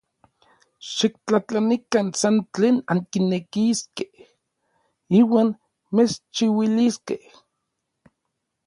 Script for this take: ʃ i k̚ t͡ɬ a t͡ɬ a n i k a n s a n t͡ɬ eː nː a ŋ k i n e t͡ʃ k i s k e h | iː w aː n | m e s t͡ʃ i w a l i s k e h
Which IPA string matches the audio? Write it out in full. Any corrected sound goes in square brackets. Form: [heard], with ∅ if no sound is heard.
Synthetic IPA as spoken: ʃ i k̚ t͡ɬ a t͡ɬ a n i k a n s a n t͡ɬ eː [n] a ŋ k i n e [∅] k i s k e h | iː w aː n | m e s t͡ʃ i w [i] l i s k e h